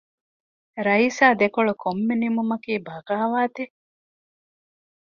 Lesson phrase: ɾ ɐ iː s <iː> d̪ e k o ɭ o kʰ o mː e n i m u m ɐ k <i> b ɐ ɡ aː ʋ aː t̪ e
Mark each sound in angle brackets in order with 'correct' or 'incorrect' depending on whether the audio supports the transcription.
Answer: incorrect: aː, incorrect: iː

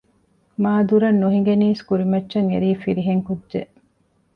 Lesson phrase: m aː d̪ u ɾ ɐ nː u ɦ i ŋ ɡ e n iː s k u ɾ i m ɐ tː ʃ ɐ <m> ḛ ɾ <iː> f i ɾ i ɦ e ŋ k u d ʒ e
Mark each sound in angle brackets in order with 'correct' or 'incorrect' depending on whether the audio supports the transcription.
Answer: incorrect: ŋ, correct

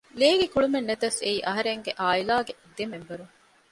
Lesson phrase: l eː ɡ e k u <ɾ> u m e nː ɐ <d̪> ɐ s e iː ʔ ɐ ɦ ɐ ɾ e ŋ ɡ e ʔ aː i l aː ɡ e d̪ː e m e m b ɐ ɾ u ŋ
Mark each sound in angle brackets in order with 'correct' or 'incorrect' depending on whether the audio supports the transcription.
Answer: incorrect: ɭ, incorrect: t̪

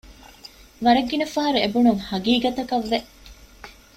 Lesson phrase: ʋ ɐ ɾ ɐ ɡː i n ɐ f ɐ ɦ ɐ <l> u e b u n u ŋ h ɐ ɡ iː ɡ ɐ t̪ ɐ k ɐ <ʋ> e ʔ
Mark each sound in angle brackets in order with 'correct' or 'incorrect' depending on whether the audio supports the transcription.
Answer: incorrect: ɾ, incorrect: ʋː

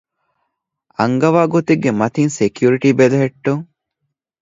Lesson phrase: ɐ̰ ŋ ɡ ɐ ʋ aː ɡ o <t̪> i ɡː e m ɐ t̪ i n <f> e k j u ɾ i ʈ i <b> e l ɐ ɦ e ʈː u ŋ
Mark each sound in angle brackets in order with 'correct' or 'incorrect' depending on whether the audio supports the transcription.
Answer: correct, incorrect: s, correct

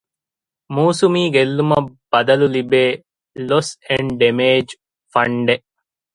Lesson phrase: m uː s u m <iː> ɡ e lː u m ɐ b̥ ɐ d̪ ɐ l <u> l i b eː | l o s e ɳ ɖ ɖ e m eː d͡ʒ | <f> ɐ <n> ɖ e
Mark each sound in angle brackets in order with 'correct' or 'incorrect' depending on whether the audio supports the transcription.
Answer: correct, correct, correct, incorrect: ɳ

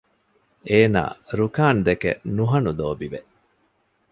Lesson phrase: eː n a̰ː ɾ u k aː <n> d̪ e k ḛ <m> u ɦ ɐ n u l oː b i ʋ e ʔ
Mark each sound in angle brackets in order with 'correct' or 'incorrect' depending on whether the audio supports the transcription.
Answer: correct, incorrect: n

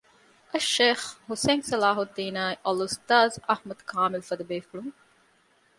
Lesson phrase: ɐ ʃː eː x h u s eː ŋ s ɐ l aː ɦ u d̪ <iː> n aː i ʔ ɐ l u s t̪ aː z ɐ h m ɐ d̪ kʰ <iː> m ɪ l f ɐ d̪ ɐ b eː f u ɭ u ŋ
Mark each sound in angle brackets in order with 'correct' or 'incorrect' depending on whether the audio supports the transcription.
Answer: correct, incorrect: aː

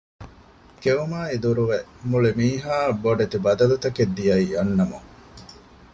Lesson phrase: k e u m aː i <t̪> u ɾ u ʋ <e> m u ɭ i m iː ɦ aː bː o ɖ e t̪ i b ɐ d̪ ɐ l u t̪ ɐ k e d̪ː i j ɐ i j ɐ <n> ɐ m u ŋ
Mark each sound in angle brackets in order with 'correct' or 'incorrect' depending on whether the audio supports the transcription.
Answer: incorrect: d̪, correct, incorrect: nː

